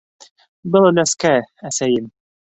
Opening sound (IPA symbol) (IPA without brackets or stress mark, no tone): b